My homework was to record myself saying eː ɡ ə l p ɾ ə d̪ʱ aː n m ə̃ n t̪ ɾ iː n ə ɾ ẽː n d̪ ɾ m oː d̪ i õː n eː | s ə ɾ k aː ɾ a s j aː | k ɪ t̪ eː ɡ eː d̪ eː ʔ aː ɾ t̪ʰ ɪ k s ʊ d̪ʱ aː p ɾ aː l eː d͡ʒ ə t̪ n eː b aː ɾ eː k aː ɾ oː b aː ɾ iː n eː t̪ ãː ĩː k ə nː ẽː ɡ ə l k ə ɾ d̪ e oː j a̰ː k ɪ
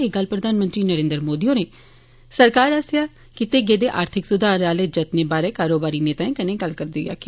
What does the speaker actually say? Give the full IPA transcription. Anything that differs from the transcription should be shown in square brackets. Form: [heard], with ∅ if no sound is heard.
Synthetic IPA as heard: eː ɡ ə l p ɾ ə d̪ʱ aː n m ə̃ n t̪ ɾ iː n ə ɾ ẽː n d̪ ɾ m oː d̪ i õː n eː | s ə ɾ k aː ɾ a s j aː | k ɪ t̪ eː ɡ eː d̪ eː ʔ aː ɾ t̪ʰ ɪ k s ʊ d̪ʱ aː [∅] ɾ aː l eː d͡ʒ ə t̪ n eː b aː ɾ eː k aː ɾ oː b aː ɾ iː n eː t̪ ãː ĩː k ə [n] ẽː ɡ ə l k ə ɾ d̪ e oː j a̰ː k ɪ

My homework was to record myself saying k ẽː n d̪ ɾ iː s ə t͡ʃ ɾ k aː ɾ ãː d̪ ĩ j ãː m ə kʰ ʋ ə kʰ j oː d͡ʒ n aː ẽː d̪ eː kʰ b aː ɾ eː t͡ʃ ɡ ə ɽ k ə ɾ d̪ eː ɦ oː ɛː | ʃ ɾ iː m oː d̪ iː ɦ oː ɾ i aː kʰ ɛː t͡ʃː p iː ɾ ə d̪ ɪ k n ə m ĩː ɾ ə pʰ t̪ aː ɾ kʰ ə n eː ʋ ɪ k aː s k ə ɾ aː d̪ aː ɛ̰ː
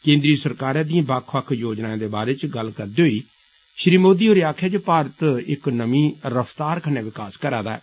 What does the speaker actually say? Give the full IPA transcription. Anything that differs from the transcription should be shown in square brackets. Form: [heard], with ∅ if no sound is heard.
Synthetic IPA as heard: k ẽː n d̪ ɾ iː s ə [∅] ɾ k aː ɾ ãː d̪ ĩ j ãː [b] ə kʰ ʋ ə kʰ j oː d͡ʒ n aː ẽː d̪ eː [∅] b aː ɾ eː t͡ʃ ɡ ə [l] k ə ɾ d̪ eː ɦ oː [iː] | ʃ ɾ iː m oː d̪ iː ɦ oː ɾ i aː kʰ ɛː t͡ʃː p [aː] ɾ ə [t̪] ɪ k n ə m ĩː ɾ ə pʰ t̪ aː ɾ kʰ ə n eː ʋ ɪ k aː s k ə ɾ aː d̪ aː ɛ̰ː

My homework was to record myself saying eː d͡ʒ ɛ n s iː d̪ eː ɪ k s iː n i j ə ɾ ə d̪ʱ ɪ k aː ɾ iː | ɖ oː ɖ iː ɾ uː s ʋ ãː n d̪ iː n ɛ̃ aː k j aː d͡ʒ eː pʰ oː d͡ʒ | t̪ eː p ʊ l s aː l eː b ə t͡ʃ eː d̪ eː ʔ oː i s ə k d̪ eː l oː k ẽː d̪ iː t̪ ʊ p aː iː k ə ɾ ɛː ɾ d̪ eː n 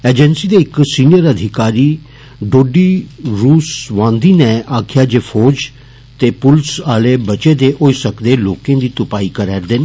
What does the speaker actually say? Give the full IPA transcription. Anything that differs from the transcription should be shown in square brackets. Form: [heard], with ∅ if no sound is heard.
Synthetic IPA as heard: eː d͡ʒ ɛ n s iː d̪ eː ɪ k s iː n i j ə ɾ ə d̪ʱ ɪ k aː ɾ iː | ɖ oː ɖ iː ɾ uː s ʋ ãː n d̪ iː n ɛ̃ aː [kʰ] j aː d͡ʒ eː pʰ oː d͡ʒ | t̪ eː p ʊ l s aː l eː b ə t͡ʃ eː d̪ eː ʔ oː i s ə k d̪ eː l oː k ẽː d̪ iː t̪ ʊ p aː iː k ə ɾ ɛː ɾ d̪ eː n

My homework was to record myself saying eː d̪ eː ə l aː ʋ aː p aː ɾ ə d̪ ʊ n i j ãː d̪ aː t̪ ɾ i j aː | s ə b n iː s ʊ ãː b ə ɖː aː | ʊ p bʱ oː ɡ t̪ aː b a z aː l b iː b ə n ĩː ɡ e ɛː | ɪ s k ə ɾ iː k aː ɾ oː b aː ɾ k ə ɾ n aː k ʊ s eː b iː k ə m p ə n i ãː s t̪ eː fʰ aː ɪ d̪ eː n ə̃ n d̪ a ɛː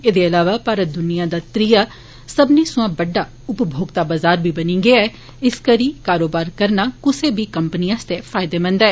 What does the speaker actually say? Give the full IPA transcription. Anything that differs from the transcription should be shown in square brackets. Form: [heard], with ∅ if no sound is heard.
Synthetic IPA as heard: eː d̪ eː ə l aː ʋ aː p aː ɾ ə d̪ ʊ n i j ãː d̪ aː t̪ ɾ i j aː | s ə b n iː s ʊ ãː b ə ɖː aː | ʊ p bʱ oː ɡ t̪ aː b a z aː [ɾ] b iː b ə n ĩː ɡ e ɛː | ɪ s k ə ɾ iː k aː ɾ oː b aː ɾ k ə ɾ n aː k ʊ s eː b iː k ə m p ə n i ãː s t̪ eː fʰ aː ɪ d̪ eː [m] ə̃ n d̪ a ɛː

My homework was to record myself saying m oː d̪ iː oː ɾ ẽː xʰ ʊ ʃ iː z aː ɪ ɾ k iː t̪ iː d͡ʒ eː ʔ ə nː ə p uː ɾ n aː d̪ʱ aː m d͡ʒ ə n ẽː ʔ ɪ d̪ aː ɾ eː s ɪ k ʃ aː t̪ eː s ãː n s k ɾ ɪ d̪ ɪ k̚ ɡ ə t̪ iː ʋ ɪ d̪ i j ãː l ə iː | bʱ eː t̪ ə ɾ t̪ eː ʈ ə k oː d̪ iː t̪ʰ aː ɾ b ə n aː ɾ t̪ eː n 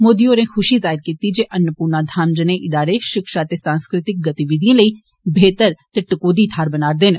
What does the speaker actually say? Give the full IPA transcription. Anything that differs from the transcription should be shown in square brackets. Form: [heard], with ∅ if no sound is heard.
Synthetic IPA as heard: m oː d̪ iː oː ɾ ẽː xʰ ʊ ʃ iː z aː ɪ ɾ k iː t̪ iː d͡ʒ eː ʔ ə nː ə p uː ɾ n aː d̪ʱ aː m d͡ʒ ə n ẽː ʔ ɪ d̪ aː ɾ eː [ʃ] ɪ k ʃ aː t̪ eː s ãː n s k ɾ ɪ [t̪] ɪ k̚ ɡ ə t̪ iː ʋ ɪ d̪ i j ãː l ə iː | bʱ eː t̪ ə ɾ t̪ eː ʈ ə k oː d̪ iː t̪ʰ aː ɾ b ə n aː ɾ [d̪] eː n

